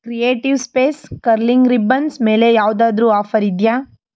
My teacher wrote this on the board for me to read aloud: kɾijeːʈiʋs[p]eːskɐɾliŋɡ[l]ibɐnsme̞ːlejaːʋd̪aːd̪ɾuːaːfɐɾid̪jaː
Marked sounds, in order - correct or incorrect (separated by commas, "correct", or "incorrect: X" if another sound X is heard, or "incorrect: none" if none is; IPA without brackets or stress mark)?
correct, incorrect: ɾ